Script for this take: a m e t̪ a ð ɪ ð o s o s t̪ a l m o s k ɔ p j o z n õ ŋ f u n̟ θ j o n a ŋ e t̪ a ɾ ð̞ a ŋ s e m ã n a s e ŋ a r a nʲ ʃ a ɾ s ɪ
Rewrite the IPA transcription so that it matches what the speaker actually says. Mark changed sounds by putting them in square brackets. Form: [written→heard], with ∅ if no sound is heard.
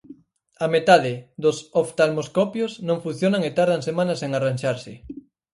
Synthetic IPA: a m e t̪ a ð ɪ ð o s o [s→f] t̪ a l m o s k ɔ p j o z n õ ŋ f u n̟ θ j o n a ŋ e t̪ a ɾ ð̞ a ŋ s e m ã n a s e ŋ a r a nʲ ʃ a ɾ s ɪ